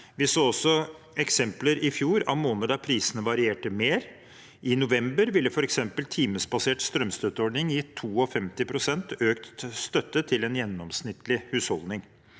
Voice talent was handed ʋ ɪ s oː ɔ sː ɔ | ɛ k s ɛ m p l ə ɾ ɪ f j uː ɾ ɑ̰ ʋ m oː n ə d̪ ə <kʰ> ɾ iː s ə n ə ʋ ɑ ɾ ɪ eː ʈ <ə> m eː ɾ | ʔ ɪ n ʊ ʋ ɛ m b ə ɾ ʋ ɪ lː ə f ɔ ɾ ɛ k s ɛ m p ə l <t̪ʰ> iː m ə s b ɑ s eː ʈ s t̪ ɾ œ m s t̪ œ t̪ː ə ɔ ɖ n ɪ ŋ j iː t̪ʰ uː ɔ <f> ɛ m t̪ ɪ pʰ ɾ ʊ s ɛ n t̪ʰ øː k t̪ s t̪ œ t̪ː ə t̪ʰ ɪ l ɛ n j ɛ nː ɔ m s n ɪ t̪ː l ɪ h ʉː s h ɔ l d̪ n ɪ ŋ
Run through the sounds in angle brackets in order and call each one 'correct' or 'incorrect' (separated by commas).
incorrect, correct, correct, correct